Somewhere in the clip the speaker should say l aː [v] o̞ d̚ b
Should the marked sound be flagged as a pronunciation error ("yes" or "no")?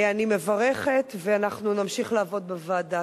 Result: no